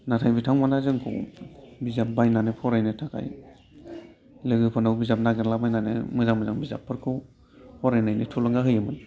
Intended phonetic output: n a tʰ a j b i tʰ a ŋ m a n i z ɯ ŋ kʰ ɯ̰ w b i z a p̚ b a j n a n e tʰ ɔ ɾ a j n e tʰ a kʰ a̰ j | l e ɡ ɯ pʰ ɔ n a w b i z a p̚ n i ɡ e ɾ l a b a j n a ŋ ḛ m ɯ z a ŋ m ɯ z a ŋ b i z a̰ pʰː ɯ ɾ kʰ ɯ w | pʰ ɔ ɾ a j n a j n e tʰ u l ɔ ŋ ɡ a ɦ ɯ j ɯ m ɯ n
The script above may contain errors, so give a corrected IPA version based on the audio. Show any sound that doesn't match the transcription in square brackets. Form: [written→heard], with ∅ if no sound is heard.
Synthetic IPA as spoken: n a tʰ a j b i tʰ a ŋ m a n [i→a] z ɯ ŋ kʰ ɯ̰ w b i z a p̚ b a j n a n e [tʰ→pʰ] ɔ ɾ a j n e tʰ a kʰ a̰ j | l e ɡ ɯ pʰ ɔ n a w b i z a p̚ n [i→a] ɡ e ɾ l a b a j n a [ŋ→n] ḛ m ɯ z a ŋ m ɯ z a ŋ b i z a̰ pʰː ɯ ɾ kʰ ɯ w | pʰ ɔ ɾ a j n a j n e tʰ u l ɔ ŋ ɡ a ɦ ɯ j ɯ m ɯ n